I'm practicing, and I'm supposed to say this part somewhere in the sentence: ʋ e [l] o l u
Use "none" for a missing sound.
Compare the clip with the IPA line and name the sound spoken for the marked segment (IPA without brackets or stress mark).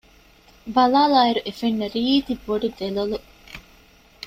l